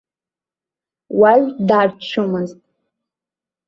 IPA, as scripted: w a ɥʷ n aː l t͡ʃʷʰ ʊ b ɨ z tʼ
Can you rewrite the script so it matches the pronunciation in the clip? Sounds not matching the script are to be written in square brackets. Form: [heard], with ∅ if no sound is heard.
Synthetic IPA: w a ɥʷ [d] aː [r] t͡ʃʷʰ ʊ [m] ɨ z tʼ